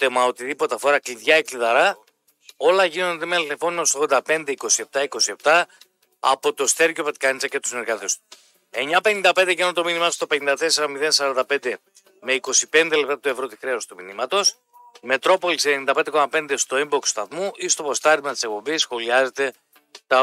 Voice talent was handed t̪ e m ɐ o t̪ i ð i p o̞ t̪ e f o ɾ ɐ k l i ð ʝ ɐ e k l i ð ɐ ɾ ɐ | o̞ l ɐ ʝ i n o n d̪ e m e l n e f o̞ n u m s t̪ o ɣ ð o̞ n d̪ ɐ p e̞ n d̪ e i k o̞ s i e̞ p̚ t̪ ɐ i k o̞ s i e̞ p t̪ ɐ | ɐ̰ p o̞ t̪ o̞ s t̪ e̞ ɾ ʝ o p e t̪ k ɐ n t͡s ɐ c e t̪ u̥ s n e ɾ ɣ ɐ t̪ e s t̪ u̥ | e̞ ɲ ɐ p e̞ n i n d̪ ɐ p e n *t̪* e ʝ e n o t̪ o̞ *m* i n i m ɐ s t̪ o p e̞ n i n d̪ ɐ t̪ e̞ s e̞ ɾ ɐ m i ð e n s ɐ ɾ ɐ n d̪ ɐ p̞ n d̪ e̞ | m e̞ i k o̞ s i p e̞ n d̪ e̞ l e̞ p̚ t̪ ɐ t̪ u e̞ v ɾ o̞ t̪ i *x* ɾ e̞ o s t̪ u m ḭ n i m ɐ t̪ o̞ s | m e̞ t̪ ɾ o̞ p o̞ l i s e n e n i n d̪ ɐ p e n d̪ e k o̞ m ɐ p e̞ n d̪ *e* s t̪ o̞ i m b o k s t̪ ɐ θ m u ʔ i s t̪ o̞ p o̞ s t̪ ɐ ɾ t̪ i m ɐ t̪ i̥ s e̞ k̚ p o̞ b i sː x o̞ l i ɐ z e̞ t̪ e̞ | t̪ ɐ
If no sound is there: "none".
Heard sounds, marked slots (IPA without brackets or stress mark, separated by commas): d̪, m, x, e